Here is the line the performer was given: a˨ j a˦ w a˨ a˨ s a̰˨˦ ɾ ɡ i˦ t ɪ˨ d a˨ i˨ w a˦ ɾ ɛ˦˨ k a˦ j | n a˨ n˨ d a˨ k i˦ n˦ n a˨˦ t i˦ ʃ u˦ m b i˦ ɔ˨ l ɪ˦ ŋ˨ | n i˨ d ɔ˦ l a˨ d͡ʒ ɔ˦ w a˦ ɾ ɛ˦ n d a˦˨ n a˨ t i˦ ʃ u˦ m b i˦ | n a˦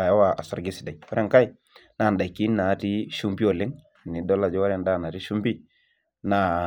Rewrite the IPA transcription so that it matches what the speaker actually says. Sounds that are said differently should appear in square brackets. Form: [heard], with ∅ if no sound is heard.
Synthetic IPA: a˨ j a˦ w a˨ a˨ s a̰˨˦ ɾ ɡ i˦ [s] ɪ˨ d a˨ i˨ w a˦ ɾ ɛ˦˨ k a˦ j | n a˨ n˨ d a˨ k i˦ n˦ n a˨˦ t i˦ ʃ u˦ m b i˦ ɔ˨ l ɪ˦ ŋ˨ | n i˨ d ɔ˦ l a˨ d͡ʒ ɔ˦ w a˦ ɾ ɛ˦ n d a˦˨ n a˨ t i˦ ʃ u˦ m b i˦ | n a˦